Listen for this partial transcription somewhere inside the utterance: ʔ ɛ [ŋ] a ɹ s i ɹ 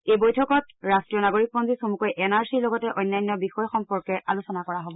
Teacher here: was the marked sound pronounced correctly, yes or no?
no